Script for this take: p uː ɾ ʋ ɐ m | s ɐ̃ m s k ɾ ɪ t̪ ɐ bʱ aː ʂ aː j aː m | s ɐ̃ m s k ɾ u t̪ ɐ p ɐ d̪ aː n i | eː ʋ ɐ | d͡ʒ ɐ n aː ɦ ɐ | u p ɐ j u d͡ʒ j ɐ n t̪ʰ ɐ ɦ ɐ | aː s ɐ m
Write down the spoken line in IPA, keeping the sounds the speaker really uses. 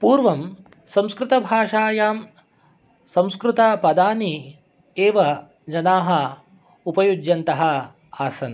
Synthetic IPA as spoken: p uː ɾ ʋ ɐ m | s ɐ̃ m s k ɾ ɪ t̪ ɐ bʱ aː ʂ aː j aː m | s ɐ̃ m s k ɾ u t̪ ɐ p ɐ d̪ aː n i | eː ʋ ɐ | d͡ʒ ɐ n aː ɦ ɐ | u p ɐ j u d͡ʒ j ɐ n t̪ ɐ ɦ ɐ | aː s ɐ n